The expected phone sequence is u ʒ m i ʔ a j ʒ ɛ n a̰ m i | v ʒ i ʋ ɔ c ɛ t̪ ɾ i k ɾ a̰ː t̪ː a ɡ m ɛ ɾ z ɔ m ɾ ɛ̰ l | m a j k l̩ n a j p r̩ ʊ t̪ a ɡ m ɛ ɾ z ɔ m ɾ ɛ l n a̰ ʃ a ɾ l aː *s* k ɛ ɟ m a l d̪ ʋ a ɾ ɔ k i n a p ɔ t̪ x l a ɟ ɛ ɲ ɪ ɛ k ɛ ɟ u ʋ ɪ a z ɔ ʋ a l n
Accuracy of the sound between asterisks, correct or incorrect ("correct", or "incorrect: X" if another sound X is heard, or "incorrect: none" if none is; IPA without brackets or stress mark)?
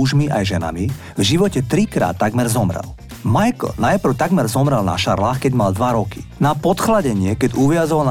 incorrect: x